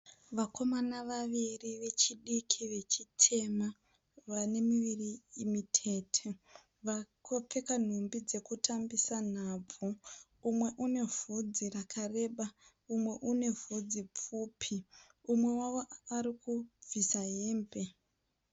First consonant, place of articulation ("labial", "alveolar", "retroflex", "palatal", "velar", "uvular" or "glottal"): labial